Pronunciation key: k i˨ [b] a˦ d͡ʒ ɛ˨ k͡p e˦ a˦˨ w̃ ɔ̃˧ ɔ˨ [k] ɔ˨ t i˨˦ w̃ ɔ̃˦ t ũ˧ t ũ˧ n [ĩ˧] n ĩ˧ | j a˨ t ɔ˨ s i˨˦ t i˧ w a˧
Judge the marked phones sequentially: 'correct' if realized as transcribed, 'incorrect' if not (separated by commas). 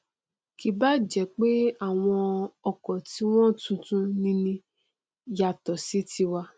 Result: correct, correct, correct